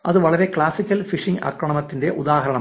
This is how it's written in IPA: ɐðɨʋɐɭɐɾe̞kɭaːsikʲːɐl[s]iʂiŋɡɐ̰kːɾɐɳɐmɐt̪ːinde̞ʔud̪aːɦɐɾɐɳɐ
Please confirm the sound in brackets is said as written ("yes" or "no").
no